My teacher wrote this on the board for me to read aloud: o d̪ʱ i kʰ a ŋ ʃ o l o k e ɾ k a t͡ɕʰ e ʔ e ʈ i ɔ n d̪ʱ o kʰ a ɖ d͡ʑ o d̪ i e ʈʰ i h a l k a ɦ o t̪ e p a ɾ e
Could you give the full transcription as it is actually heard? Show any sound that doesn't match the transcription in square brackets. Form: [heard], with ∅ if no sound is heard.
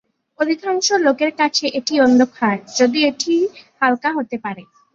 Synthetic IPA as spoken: o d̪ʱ i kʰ a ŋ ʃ o l o k e ɾ k a t͡ɕʰ e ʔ e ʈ i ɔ n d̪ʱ o kʰ a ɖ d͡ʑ o d̪ i e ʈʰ i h a l k a ɦ o t̪ e p a ɾ e